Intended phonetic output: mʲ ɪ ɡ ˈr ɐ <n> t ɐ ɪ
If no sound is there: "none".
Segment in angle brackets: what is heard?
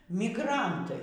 n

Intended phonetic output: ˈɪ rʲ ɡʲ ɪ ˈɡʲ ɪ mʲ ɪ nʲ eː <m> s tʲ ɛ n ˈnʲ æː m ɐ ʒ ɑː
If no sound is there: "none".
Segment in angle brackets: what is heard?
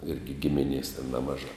none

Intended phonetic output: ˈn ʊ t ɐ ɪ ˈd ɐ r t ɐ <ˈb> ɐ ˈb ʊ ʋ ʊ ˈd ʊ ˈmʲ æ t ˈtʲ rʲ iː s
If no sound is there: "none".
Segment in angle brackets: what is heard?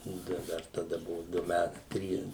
d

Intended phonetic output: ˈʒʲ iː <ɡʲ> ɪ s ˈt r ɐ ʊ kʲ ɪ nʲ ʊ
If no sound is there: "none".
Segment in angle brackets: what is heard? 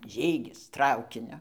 ɡʲ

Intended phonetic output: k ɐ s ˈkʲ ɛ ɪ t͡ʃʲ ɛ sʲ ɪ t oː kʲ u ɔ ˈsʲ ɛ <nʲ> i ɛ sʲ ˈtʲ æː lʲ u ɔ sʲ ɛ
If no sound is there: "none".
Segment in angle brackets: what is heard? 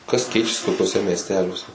mʲ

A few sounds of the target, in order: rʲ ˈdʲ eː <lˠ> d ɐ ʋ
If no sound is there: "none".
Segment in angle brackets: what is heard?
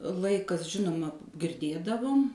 none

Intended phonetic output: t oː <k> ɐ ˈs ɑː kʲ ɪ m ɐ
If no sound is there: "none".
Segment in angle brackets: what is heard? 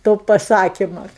p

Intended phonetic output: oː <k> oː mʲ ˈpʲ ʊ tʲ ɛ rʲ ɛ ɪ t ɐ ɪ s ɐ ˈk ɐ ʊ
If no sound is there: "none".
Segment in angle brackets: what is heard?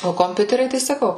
k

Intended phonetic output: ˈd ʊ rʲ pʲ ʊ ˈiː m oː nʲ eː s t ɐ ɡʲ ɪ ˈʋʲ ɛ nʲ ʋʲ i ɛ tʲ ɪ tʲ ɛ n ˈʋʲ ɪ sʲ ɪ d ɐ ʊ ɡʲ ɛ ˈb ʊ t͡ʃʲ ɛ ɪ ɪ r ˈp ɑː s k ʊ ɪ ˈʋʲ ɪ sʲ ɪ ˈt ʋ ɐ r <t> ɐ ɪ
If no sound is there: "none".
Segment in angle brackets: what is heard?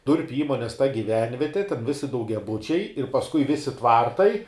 t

